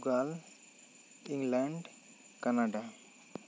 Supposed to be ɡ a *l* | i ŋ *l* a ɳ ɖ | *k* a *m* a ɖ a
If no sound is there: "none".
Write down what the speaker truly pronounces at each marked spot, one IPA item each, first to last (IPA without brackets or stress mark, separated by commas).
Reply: l, l, k, n